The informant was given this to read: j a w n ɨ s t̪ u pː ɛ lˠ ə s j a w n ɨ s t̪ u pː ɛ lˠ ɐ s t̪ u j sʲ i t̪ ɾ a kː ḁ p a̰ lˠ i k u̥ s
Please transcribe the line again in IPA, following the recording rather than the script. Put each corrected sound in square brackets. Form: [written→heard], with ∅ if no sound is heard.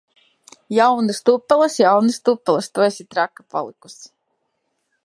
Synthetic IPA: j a w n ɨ s t̪ u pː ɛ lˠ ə s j a w n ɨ s t̪ u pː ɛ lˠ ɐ s t̪ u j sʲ i t̪ ɾ a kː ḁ p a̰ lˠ i k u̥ s